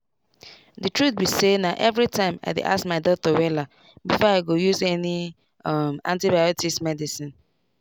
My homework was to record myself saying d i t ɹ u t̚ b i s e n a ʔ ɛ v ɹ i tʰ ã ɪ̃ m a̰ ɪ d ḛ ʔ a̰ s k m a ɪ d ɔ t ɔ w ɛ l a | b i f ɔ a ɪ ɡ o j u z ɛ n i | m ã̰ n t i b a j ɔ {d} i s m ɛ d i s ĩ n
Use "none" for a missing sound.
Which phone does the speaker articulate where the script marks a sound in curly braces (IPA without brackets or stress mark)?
t